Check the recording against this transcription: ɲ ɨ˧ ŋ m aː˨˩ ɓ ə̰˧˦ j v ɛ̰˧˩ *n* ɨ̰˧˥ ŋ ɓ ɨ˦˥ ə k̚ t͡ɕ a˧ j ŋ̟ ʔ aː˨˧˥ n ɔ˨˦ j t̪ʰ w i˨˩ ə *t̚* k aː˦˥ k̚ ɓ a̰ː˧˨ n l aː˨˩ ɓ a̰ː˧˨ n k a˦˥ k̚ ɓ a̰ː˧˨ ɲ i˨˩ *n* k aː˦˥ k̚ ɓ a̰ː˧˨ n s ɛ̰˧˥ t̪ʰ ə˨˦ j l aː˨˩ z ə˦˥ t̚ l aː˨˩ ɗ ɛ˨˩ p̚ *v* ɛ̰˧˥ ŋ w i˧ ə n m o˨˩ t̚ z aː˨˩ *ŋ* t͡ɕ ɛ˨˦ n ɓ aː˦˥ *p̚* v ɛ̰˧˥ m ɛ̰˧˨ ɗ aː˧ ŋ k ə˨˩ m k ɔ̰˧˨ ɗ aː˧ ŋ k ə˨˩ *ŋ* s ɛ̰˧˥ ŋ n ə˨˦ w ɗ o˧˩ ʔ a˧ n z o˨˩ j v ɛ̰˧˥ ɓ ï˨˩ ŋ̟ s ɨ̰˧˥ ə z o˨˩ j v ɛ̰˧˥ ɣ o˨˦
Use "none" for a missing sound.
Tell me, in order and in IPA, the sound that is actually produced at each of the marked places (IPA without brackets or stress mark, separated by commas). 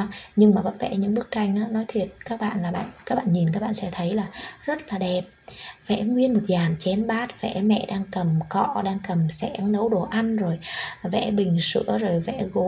ɲ, t̚, n, v, n, t̚, m